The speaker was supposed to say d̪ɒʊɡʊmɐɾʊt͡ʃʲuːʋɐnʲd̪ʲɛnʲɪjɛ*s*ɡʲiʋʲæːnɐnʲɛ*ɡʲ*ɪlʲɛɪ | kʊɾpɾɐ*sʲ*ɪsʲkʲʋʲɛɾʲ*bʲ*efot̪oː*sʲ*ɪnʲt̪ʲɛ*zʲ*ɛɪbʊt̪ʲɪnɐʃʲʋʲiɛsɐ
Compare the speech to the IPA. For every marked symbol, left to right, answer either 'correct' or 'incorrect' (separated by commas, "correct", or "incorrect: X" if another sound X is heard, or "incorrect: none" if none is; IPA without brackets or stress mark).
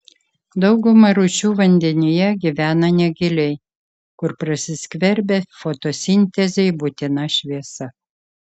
incorrect: none, correct, correct, correct, correct, correct